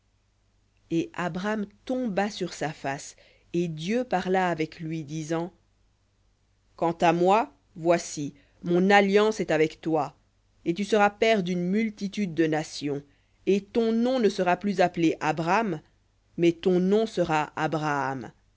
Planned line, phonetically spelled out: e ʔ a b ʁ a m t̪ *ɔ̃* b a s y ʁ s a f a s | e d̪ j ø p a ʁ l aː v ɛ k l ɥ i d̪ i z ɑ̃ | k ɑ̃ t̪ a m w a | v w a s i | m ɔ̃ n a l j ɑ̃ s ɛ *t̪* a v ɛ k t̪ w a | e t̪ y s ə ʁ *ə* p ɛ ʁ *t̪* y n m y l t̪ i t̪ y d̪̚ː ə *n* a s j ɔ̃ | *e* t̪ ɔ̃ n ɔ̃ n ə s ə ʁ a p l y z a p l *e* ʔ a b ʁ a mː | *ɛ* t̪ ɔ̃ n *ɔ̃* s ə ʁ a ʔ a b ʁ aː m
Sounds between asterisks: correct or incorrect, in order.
correct, correct, incorrect: a, incorrect: d̪, correct, correct, correct, correct, correct

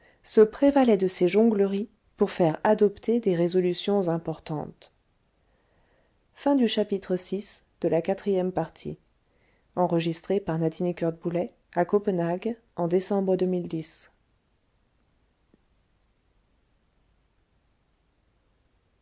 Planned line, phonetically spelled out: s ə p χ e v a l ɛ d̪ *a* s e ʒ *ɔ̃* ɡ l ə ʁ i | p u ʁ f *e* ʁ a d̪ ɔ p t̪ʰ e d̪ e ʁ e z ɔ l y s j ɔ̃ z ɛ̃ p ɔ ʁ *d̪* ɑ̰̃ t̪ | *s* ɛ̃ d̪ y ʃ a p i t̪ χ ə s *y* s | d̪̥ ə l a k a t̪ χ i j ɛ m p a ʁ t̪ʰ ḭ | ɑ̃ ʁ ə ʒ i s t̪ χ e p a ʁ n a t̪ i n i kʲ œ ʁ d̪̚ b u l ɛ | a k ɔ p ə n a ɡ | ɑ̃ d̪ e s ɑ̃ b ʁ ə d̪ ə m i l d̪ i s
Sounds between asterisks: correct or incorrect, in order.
incorrect: ə, correct, incorrect: ɛ, incorrect: t̪, incorrect: f, incorrect: i

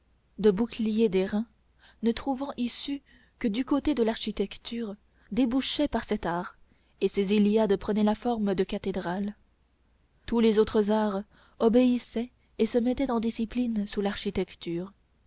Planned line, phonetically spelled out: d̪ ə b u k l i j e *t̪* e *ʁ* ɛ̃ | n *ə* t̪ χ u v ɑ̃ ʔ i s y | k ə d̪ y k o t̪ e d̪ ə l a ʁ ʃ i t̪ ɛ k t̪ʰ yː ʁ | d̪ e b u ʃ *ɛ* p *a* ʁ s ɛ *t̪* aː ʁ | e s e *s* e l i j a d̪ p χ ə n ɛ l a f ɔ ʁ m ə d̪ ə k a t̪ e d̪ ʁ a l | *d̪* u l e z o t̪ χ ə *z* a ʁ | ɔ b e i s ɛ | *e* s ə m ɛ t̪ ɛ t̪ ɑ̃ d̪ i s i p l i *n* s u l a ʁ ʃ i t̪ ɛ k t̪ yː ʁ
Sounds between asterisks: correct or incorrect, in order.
incorrect: d̪, correct, correct, correct, correct, correct, incorrect: z, incorrect: t̪, correct, correct, correct

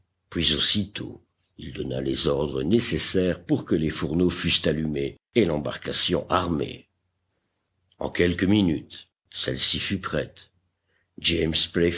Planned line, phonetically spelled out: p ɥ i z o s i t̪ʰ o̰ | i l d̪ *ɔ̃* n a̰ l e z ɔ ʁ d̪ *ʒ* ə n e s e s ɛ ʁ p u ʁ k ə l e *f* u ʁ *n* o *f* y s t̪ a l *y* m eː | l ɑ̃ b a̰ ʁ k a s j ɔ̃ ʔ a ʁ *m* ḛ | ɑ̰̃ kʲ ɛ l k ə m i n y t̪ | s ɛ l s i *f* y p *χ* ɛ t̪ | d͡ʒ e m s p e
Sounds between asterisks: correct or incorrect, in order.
incorrect: ɔ, incorrect: ʁ, correct, correct, correct, correct, correct, correct, correct

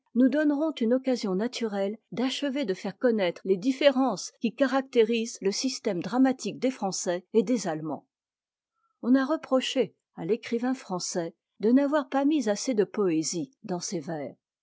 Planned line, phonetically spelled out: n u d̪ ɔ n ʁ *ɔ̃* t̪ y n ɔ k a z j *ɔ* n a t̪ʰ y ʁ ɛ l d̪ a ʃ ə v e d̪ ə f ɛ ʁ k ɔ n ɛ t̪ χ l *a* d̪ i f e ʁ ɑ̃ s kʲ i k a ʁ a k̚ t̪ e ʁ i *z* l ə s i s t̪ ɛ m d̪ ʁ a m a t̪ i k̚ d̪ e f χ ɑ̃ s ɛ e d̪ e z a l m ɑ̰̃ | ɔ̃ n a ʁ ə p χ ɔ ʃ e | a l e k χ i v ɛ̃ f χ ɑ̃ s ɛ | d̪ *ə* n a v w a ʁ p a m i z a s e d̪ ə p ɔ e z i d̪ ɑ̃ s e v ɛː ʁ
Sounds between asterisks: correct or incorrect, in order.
correct, incorrect: ɔ̃, incorrect: e, correct, correct

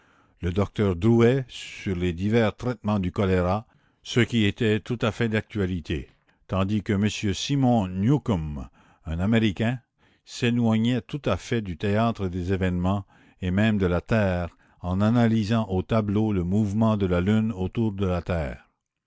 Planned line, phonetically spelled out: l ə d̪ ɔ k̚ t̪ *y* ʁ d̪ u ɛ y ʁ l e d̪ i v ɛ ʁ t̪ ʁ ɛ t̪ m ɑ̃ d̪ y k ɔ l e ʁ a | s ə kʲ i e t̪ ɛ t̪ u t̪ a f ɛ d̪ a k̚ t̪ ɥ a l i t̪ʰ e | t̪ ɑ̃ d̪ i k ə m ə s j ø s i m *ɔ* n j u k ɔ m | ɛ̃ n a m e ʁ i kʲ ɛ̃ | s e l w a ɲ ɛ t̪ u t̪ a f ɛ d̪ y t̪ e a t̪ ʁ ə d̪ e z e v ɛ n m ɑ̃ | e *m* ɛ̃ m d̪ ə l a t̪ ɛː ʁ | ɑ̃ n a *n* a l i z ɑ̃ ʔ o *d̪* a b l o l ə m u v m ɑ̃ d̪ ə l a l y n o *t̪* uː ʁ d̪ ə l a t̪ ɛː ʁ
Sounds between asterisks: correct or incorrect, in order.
incorrect: œ, incorrect: ɔ̃, correct, correct, incorrect: t̪, correct

